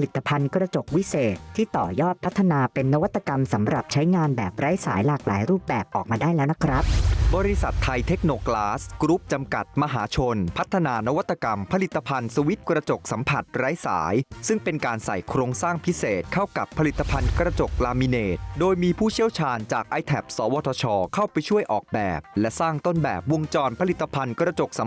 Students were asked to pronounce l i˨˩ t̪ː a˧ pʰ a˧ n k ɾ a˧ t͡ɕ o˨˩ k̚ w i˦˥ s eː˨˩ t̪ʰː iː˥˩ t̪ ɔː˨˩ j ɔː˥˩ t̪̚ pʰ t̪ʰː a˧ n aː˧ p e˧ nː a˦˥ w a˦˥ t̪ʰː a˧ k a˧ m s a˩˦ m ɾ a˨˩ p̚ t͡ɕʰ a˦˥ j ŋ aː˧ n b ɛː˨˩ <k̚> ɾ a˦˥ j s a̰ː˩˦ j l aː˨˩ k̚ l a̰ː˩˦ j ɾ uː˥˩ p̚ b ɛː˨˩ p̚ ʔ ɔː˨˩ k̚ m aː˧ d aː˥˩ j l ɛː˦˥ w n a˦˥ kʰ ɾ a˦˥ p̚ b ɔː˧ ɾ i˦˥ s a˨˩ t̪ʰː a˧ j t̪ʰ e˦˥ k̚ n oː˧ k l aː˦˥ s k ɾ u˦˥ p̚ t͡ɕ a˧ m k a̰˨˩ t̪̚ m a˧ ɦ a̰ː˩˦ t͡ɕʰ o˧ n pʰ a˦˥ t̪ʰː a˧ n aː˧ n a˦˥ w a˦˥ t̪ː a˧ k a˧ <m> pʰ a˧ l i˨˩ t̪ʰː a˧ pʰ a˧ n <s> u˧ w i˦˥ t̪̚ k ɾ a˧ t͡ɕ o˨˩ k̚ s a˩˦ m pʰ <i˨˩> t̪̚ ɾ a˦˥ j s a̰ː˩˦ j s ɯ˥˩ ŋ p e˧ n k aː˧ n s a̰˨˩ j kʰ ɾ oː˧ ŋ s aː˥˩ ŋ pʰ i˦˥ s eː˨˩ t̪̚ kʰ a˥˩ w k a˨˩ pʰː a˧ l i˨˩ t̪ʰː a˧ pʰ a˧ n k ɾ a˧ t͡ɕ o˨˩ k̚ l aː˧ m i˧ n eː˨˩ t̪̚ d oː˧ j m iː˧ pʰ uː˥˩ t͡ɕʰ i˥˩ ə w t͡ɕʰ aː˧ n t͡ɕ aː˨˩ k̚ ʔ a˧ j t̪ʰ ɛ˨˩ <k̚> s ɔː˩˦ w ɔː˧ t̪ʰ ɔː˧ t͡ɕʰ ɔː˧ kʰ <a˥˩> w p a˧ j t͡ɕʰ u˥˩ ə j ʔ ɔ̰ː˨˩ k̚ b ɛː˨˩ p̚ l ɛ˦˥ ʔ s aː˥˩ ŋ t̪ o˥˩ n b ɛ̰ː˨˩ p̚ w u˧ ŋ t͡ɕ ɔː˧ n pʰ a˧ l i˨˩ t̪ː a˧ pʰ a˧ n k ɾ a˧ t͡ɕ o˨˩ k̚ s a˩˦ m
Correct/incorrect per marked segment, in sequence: incorrect: p̚, correct, correct, incorrect: a˨˩, incorrect: p̚, correct

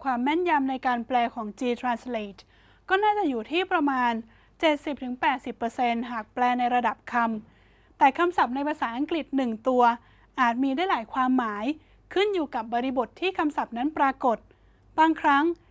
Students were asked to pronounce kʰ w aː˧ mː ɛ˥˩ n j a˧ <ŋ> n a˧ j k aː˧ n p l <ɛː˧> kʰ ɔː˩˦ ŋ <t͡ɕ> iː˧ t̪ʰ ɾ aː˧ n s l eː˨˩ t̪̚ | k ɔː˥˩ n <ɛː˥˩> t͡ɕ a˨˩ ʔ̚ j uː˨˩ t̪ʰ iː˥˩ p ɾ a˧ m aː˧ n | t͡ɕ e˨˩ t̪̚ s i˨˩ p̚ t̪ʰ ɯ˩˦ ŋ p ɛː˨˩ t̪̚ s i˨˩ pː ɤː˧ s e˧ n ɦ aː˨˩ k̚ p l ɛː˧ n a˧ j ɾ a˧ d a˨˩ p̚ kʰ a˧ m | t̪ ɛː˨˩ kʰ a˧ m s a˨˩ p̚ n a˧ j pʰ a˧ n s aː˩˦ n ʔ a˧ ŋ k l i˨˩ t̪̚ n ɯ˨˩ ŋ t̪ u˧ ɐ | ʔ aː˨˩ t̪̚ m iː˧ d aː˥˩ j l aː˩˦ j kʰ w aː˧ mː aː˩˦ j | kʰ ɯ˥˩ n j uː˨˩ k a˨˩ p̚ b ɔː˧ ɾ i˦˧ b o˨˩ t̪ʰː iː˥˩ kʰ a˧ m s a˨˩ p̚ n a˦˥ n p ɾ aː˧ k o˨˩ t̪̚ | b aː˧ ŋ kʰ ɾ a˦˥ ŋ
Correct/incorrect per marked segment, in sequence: incorrect: m, correct, correct, incorrect: aː˥˩

